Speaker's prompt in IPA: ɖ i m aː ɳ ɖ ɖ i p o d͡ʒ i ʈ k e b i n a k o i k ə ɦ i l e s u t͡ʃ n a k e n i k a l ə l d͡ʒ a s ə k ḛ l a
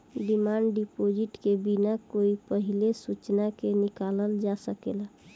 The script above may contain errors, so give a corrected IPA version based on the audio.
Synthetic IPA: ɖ i m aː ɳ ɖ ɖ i p o d͡ʒ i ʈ k e b i n a k o i p ə ɦ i l e s u t͡ʃ n a k e n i k a l ə l d͡ʒ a s ə k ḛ l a